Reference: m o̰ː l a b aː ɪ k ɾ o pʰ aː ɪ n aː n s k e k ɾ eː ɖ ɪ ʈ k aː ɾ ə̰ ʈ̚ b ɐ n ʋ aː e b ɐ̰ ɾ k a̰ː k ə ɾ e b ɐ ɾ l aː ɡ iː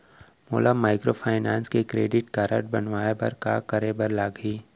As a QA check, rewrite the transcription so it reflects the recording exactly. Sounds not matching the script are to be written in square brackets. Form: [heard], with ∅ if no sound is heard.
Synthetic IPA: m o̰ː l a [m] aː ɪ k ɾ o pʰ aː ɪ n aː n s k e k ɾ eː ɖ ɪ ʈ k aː ɾ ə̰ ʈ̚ b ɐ n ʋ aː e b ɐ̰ ɾ k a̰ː k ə ɾ e b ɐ ɾ l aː ɡ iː